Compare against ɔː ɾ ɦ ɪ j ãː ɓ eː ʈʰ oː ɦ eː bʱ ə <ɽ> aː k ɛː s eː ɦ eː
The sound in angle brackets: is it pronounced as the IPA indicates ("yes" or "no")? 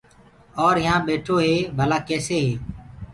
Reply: no